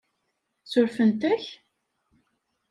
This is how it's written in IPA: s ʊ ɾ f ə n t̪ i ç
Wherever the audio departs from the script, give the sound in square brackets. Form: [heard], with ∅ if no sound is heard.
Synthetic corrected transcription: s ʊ ɾ f ə n t̪ [æ] ç

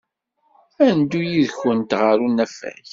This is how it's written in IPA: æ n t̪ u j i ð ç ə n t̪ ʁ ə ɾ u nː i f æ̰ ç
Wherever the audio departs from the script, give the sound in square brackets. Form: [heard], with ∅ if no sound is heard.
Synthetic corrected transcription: æ n [d̪] u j i ð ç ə n t̪ ʁ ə ɾ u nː [æ] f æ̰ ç

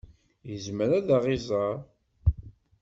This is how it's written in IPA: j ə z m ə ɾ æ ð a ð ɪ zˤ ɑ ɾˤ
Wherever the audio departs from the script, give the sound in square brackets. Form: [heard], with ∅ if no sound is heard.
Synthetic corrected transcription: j ə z m ə ɾ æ ð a [ʁ] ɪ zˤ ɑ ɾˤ

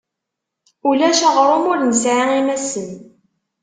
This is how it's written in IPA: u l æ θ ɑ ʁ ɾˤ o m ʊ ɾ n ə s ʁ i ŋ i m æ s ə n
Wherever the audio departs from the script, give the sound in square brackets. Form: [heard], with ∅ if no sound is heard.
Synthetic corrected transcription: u l æ [ʃ] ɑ ʁ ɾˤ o m ʊ ɾ n ə s [ʕ] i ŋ i m æ s ə n

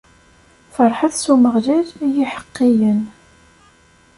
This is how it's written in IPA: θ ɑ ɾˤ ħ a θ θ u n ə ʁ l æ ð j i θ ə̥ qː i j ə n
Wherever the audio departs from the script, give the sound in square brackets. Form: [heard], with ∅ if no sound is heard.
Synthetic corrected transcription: [f] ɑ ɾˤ ħ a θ [s] u [m] ə ʁ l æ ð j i [ħ] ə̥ qː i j ə n

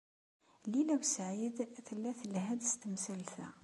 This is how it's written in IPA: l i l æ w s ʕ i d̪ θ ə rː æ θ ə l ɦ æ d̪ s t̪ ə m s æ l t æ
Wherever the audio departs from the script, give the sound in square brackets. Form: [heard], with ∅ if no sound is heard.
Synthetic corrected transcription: l i l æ w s ʕ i d̪ θ ə [lː] æ θ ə l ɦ æ d̪ s t̪ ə m s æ l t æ

